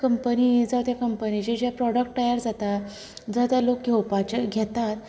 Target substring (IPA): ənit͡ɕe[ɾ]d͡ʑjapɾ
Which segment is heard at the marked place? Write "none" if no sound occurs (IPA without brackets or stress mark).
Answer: none